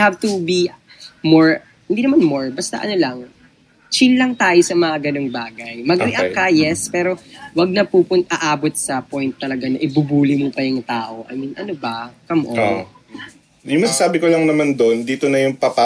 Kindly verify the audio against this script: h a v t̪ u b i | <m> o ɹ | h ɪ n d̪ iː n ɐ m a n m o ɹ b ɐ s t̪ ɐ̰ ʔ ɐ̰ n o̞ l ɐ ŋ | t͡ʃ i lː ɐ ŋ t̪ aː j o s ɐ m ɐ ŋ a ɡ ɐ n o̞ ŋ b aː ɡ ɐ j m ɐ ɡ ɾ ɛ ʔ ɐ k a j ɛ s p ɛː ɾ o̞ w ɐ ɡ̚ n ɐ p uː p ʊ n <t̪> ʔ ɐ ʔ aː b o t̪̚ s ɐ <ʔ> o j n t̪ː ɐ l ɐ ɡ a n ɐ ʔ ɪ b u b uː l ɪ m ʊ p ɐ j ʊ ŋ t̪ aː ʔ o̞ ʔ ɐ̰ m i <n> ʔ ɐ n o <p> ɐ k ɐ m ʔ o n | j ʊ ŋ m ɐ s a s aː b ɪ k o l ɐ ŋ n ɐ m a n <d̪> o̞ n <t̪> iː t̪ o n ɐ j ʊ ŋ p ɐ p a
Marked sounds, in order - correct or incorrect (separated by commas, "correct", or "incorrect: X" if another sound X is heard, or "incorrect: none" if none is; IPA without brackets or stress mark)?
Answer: correct, correct, incorrect: p, correct, incorrect: b, correct, incorrect: d̪